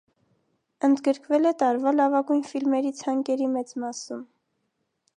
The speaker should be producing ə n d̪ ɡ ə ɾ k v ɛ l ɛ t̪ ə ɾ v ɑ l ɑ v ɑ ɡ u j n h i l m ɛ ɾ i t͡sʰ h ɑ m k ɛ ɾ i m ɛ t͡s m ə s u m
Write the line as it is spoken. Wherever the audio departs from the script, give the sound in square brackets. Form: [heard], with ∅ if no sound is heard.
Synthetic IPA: ə n d̪ ɡ ə ɾ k v ɛ l ɛ t̪ [ɑ] ɾ v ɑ l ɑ v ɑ ɡ u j n [f] i l m ɛ ɾ i t͡sʰ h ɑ [ŋ] k ɛ ɾ i m ɛ t͡s m [ɑ] s u m